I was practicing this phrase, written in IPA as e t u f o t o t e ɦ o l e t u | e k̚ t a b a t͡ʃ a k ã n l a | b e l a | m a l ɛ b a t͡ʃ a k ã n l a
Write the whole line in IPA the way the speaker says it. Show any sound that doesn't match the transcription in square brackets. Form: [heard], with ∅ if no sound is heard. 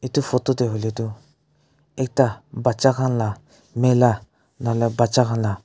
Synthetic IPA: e t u f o t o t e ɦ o l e t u | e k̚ t a b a t͡ʃ a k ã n l a | [m] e l a | [n] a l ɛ b a t͡ʃ a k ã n l a